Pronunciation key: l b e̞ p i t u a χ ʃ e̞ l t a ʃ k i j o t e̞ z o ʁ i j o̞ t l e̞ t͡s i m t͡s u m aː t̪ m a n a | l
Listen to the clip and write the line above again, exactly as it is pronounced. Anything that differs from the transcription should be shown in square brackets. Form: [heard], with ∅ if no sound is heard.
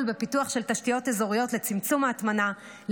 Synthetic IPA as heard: l b e̞ p i t u a χ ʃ e̞ l t a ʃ [t] i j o t e̞ z o ʁ i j o̞ t l e̞ t͡s i m t͡s u m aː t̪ m a n a | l